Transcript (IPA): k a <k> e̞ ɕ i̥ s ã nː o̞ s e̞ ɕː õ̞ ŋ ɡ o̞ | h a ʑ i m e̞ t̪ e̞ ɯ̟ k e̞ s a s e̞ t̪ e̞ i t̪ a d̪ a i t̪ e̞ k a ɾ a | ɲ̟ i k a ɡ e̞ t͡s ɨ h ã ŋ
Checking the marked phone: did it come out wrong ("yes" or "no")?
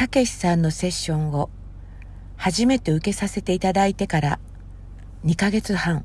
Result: no